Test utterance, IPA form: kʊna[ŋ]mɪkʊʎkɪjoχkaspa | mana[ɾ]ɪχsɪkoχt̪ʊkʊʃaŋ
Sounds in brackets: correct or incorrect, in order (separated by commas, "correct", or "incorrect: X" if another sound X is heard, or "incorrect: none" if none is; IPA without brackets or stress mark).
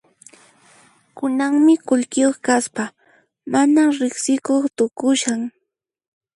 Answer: correct, correct